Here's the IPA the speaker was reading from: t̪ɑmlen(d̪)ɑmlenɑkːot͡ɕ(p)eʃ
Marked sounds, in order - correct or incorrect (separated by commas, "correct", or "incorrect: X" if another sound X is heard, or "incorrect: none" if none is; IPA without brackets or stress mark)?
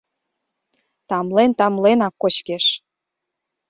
incorrect: t̪, incorrect: k